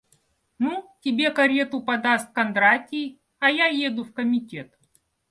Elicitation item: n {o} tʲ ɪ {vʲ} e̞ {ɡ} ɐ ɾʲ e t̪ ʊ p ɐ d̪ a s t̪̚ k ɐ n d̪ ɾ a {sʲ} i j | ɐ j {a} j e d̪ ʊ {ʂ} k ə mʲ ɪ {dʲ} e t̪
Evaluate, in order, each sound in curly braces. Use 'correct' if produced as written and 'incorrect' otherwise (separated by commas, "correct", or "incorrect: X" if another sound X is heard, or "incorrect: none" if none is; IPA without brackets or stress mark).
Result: incorrect: u, incorrect: bʲ, incorrect: k, incorrect: tʲ, correct, incorrect: f, incorrect: tʲ